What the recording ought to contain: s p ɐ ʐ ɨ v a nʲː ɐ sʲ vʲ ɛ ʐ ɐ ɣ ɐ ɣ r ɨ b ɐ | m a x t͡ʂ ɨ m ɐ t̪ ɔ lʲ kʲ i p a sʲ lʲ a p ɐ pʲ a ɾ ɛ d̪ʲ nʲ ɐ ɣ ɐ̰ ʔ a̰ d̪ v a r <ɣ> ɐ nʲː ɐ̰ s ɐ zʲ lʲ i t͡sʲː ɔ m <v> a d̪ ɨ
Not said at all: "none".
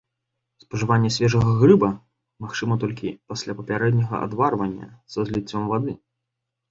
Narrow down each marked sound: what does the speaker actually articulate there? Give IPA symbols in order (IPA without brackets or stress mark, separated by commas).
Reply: v, v